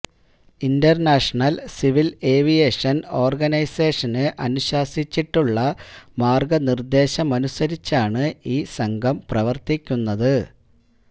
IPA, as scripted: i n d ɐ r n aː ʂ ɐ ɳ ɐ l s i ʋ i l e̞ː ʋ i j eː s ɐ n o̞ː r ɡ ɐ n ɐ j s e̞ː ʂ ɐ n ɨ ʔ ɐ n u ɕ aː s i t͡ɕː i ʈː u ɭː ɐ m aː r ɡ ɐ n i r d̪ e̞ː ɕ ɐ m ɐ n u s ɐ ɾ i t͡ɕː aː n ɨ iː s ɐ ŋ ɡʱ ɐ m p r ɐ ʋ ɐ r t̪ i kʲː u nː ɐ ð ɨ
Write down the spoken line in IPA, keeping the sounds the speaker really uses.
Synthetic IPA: i n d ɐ r n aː ʂ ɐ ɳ ɐ l s i ʋ i l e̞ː ʋ i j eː ʂ ɐ n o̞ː r ɡ ɐ n ɐ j s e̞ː ʂ ɐ n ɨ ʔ ɐ n u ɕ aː s i t͡ɕː i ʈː u ɭː ɐ m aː r ɡ ɐ n i r d̪ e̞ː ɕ ɐ m ɐ n u s ɐ ɾ i t͡ɕː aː ɳ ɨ iː s ɐ ŋ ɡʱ ɐ m p r ɐ ʋ ɐ r t̪ i kʲː u nː ɐ ð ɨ